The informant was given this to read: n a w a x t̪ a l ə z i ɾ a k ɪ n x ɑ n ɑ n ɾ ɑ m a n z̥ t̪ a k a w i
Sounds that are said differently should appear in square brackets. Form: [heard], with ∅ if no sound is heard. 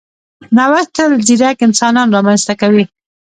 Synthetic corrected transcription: n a w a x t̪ a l ə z i ɾ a k ɪ n [s] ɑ n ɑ n ɾ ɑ m a n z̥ t̪ a k a w i